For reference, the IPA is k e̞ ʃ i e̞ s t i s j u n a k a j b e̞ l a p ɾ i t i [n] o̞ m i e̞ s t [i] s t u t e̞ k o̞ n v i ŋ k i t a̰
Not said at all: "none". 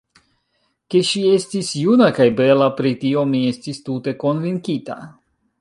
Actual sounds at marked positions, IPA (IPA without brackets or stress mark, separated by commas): none, i